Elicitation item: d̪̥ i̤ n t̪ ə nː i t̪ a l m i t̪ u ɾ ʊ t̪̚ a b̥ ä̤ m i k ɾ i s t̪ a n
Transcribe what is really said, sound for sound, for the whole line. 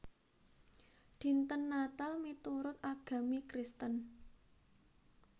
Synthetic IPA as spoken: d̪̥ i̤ n t̪ ə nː a t̪ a l m i t̪ u ɾ ʊ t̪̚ a ɡ̥ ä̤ m i k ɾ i s t̪ ə n